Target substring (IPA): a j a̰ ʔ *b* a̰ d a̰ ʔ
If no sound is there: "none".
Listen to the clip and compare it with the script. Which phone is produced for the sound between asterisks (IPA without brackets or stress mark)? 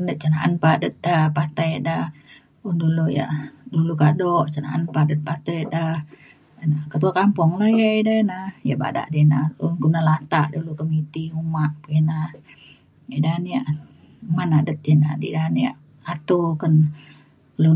b